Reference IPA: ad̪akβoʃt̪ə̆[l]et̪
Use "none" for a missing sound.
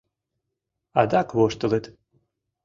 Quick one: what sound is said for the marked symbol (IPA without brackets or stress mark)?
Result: l